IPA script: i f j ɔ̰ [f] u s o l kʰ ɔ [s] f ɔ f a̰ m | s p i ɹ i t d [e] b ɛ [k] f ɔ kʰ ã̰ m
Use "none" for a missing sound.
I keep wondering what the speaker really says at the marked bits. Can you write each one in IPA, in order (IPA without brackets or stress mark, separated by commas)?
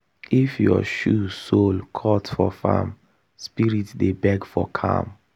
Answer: ʃ, t, e, ɡ